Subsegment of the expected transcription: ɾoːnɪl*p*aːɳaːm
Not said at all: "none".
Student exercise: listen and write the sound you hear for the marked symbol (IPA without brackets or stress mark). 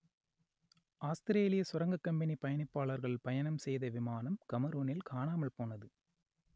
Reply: k